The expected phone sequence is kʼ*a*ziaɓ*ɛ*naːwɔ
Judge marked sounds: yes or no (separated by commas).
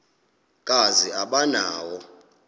yes, no